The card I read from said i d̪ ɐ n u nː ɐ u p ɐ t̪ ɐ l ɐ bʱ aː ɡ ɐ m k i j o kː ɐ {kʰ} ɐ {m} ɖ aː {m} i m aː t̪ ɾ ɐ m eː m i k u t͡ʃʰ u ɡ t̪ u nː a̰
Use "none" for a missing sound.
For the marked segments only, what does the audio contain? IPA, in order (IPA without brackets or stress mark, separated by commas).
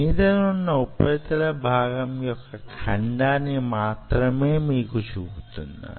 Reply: kʰ, ɳ, n